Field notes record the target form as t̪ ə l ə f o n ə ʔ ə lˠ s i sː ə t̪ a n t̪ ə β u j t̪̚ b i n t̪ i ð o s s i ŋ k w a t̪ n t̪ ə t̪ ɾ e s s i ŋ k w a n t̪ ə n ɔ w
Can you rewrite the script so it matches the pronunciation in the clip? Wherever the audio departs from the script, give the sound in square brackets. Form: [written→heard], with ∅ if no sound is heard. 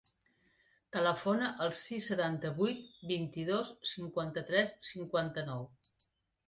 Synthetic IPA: t̪ ə l ə f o n ə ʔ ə lˠ s i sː ə t̪ a n t̪ ə β u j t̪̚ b i n t̪ i ð o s s i ŋ k w a [t̪→∅] n t̪ ə t̪ ɾ [e→ɛ] s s i ŋ k w a n t̪ ə n ɔ w